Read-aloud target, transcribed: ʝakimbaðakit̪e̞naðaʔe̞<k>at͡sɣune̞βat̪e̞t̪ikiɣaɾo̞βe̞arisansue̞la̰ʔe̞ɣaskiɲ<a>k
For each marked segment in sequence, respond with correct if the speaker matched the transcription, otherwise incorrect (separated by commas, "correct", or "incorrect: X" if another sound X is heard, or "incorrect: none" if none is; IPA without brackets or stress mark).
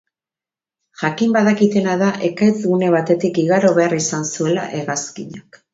correct, correct